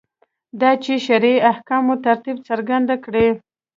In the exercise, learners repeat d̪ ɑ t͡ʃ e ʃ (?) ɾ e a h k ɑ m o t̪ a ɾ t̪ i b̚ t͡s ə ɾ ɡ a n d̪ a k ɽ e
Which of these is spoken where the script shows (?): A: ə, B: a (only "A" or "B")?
B